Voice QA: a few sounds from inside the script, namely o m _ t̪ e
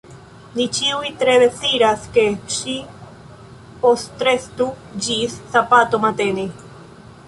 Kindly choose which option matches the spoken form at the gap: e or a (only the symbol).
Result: a